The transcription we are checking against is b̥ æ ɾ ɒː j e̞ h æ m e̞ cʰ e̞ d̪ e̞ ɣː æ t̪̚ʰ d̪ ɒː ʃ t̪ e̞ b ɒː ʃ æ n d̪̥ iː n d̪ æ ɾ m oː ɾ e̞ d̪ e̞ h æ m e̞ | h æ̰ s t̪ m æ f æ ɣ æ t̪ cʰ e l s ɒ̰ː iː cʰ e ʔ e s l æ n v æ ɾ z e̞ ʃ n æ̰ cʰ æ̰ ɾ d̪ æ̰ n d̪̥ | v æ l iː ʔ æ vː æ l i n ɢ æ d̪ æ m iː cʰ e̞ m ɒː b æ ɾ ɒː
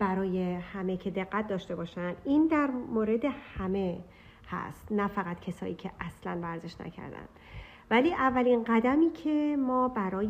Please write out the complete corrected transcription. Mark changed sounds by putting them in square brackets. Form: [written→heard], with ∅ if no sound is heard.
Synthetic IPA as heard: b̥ æ ɾ ɒː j e̞ h æ m e̞ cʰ e̞ d̪ e̞ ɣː æ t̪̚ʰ d̪ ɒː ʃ t̪ e̞ b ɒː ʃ æ n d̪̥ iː n d̪ æ ɾ m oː ɾ e̞ d̪ e̞ h æ m e̞ | h æ̰ s t̪ [m→n] æ f æ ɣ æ t̪ cʰ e [l→∅] s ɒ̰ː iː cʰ e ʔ [e→æ] s l æ n v æ ɾ z e̞ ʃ n æ̰ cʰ æ̰ ɾ d̪ æ̰ n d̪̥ | v æ l iː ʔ æ vː æ l i n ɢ æ d̪ æ m iː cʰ e̞ m ɒː b æ ɾ ɒː